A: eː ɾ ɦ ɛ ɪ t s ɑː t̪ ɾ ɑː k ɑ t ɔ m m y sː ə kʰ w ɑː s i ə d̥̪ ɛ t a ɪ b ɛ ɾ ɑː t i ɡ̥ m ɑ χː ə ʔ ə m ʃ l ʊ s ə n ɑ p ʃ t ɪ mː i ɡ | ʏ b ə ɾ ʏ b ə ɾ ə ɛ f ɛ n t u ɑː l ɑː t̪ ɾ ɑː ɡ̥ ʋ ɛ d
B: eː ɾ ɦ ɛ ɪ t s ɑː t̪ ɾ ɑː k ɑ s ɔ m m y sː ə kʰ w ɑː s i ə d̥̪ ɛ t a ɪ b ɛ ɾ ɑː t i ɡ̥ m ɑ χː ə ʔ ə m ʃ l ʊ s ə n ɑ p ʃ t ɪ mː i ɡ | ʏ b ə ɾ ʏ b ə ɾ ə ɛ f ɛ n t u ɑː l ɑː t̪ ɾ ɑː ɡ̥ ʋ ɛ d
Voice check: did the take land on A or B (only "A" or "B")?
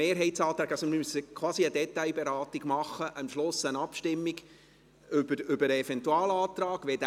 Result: B